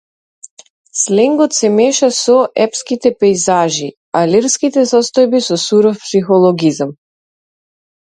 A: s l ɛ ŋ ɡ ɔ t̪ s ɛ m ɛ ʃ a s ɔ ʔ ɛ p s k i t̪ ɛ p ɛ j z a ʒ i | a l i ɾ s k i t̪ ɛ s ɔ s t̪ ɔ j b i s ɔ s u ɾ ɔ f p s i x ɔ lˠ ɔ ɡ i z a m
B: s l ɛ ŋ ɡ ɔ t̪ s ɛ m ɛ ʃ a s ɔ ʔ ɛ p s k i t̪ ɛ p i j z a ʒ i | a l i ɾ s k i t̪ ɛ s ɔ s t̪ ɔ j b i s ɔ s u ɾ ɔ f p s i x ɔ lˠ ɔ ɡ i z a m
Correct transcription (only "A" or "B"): A